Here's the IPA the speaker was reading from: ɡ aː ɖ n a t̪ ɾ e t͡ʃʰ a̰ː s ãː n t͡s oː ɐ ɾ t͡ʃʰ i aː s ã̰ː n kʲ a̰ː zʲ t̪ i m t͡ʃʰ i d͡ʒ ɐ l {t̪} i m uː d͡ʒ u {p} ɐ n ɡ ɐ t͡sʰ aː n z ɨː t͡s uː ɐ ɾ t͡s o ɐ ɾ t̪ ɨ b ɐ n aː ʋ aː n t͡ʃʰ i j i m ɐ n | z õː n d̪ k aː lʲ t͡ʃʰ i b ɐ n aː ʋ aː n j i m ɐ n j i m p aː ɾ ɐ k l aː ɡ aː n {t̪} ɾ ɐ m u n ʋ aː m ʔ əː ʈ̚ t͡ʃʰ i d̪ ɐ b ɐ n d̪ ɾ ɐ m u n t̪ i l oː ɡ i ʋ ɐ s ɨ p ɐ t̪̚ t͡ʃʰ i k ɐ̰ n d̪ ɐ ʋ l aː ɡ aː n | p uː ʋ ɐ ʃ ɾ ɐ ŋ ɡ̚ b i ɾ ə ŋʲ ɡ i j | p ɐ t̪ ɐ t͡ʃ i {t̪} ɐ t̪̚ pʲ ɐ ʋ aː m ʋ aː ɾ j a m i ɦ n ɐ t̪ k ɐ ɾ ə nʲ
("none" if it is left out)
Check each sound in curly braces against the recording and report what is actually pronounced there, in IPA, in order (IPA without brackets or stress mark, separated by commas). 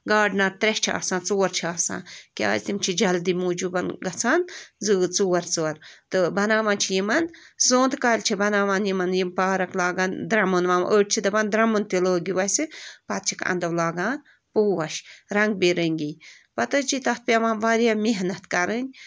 d̪, b, d̪, t̪